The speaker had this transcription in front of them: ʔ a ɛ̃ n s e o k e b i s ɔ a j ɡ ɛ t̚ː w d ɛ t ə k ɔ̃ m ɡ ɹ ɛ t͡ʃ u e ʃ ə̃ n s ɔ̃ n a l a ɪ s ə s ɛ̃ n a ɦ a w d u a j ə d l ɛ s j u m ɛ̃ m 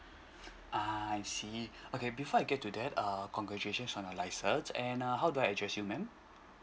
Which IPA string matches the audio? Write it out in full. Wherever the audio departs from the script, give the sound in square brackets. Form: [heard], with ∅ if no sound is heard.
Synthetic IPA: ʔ a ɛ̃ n s [i] o k e b i [f] ɔ a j ɡ ɛ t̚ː [u] d ɛ t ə k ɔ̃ [ŋ] ɡ ɹ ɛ t͡ʃ u e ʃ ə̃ n s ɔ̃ n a l a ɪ s ə s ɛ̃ n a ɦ a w d u a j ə d [ɹ] ɛ s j u m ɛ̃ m